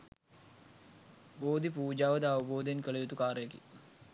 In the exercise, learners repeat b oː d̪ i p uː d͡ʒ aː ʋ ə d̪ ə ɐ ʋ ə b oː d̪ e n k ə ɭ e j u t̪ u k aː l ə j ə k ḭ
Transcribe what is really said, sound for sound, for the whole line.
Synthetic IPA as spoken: b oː d̪ i p uː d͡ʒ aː ʋ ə d̪ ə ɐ ʋ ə b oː d̪ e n k ə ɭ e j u t̪ u k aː ɾ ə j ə k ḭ